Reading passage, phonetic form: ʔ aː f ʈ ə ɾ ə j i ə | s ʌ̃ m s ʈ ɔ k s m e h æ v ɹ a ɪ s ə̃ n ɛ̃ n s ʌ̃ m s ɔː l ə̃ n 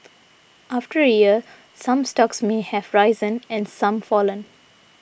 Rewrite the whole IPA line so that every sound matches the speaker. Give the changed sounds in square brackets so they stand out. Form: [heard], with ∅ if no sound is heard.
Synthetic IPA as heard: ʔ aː f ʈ ə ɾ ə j i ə | s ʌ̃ m s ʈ ɔ k s m e h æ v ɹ a ɪ [z] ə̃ n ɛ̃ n s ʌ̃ m [f] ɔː l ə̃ n